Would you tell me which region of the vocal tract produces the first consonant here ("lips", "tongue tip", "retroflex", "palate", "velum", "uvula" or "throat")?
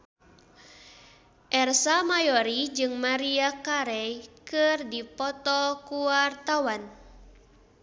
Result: throat